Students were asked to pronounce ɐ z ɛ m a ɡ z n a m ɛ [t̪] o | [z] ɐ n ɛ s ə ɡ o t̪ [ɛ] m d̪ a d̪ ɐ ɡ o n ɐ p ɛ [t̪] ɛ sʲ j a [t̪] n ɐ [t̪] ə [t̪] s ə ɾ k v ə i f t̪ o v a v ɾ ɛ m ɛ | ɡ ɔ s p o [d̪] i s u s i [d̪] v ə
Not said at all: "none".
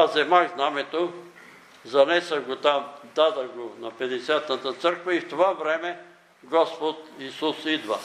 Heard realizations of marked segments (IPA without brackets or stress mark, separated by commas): t̪, z, a, d̪, t̪, t̪, t̪, t̪, d̪